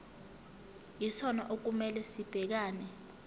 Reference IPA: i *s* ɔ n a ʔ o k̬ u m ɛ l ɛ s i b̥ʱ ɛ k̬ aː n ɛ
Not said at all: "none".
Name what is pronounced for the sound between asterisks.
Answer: s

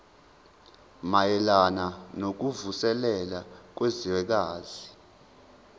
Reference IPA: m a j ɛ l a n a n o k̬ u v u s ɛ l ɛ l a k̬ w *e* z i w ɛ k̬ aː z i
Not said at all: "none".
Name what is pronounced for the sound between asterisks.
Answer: e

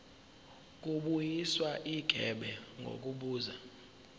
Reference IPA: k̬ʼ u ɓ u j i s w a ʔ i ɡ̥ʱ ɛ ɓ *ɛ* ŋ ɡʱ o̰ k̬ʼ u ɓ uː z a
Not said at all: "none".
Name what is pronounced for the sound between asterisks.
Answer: ɛ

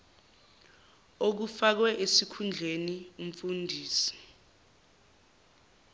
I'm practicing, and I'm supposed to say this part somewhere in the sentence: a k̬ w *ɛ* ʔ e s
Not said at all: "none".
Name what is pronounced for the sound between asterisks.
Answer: ɛ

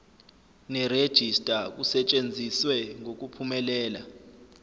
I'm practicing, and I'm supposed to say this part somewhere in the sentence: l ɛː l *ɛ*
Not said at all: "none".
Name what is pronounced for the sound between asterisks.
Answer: a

